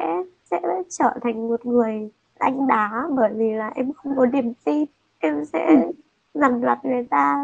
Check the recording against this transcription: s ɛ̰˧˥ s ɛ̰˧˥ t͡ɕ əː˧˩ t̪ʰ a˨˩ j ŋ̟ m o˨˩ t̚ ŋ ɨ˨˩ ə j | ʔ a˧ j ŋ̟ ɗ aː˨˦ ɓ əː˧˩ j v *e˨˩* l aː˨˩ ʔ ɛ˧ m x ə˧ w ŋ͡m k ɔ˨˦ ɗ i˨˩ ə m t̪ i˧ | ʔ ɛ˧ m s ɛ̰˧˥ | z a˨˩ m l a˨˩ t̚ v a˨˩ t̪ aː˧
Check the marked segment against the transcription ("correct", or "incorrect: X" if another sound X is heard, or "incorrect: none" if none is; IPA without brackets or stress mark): incorrect: i˨˩